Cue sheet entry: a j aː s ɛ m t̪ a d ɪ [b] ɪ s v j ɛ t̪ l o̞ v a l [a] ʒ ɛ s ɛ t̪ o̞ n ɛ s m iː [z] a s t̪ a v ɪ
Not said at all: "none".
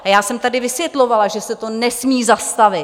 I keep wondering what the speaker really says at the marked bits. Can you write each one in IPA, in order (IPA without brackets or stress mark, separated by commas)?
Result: v, a, z